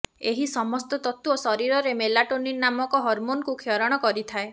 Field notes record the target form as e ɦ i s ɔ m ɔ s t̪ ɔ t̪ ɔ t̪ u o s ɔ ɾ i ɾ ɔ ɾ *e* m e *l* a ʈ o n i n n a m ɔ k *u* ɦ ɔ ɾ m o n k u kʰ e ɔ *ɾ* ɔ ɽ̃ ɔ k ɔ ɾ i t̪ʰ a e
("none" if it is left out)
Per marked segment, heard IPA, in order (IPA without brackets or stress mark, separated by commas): e, l, ɔ, ɾ